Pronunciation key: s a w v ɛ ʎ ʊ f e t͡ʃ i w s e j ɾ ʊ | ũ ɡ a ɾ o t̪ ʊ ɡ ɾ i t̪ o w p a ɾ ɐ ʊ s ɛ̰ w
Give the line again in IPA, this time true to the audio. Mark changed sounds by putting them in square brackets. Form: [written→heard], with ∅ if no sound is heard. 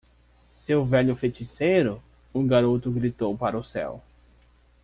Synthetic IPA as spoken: s [a→e] w v ɛ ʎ ʊ f e t͡ʃ i [w→∅] s e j ɾ ʊ | ũ ɡ a ɾ o t̪ ʊ ɡ ɾ i t̪ o w p a ɾ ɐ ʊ s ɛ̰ w